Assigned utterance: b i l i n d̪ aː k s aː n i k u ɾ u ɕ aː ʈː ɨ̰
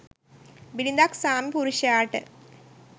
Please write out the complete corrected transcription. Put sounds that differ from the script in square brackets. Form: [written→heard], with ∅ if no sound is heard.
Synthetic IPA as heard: b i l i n d̪ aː k s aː [n→m] i [k→p] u ɾ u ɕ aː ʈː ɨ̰